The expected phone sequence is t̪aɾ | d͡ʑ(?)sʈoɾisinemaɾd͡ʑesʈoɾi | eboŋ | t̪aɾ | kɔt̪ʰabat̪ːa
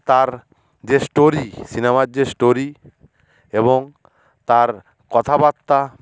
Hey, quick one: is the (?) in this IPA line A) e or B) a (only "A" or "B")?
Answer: A